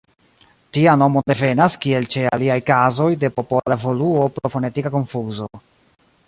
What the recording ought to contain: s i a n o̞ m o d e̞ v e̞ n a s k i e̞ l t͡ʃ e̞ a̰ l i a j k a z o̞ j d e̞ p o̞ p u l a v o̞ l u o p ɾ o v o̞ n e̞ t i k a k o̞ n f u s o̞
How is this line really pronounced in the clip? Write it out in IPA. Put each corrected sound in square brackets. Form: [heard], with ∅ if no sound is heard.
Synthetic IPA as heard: [t] i a n o̞ m o d e̞ v e̞ n a s k i e̞ l t͡ʃ e̞ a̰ l i a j k a z o̞ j d e̞ p o̞ p [o] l a v o̞ l u o p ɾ o [f] o̞ n e̞ t i k a k o̞ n f u [z] o̞